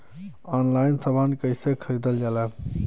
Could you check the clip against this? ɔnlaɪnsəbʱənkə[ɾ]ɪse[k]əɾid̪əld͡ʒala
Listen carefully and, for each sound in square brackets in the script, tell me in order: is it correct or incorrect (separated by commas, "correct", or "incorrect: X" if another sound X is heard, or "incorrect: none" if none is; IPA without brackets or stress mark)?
incorrect: none, incorrect: kʰ